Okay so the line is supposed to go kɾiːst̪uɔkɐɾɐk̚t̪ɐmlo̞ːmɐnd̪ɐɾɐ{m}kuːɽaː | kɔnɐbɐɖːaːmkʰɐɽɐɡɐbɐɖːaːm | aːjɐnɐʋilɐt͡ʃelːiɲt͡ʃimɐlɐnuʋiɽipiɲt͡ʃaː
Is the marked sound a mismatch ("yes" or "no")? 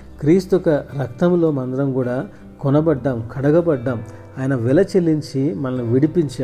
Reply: no